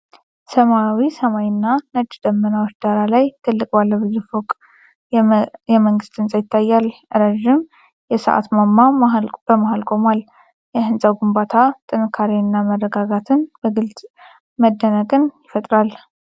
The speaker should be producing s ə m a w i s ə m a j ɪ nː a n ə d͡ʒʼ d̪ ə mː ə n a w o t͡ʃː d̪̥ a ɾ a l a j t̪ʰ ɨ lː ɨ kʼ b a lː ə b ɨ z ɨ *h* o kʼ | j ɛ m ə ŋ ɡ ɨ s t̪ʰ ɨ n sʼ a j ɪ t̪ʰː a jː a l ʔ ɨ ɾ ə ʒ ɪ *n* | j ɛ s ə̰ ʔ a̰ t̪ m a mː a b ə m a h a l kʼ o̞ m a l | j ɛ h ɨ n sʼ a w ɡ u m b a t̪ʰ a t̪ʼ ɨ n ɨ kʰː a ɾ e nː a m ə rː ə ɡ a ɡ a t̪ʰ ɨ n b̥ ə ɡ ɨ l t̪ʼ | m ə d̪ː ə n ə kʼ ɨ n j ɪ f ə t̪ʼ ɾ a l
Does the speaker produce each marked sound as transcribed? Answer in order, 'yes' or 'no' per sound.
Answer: no, no

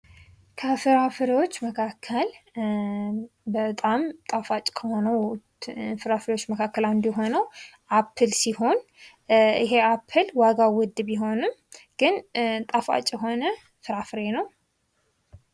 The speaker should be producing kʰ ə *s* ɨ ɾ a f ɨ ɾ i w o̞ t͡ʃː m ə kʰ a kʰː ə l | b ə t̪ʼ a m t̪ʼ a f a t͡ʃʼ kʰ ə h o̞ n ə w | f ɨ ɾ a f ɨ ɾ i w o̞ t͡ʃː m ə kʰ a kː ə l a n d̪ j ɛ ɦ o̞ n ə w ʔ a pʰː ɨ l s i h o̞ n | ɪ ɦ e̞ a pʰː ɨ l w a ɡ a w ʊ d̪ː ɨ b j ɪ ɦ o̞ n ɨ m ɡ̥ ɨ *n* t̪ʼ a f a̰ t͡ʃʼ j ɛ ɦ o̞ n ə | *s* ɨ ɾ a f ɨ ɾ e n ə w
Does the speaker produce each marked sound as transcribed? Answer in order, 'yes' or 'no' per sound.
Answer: no, yes, no

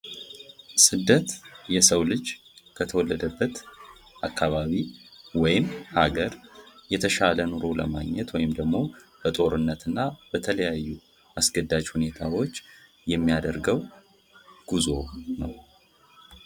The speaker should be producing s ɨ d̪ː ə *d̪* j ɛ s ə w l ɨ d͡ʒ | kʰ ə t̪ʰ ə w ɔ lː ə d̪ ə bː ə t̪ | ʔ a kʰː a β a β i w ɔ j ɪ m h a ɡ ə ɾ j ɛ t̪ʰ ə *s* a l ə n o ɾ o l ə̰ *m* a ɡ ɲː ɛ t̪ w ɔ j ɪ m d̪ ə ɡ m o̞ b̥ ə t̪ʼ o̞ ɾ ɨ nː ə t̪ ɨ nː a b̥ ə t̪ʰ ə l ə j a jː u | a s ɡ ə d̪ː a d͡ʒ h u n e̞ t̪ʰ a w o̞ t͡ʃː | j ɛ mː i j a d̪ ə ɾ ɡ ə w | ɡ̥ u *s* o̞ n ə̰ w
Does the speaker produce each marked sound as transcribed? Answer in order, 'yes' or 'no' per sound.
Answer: no, no, yes, no

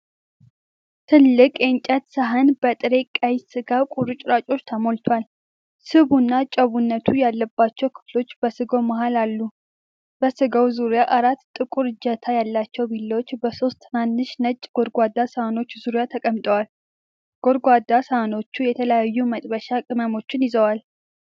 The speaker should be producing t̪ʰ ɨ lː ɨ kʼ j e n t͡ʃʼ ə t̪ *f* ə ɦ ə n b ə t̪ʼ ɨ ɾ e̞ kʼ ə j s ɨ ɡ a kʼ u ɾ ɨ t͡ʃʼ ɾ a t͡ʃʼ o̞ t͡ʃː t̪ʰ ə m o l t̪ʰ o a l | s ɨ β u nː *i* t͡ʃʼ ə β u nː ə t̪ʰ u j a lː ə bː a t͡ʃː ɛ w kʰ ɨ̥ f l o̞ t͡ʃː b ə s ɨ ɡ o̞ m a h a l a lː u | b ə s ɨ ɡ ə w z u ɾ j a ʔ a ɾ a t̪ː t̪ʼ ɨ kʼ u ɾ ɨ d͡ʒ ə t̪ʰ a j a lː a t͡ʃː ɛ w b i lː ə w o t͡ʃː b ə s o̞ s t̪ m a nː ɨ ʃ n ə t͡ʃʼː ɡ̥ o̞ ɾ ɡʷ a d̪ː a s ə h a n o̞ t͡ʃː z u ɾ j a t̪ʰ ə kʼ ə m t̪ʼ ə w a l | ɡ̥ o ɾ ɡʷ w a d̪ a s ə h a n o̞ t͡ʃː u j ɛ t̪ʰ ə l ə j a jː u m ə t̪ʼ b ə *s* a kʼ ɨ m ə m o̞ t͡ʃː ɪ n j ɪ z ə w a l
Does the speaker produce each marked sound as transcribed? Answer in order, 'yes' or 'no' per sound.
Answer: no, no, no

